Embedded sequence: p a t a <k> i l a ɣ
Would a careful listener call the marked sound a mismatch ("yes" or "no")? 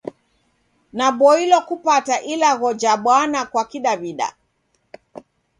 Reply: yes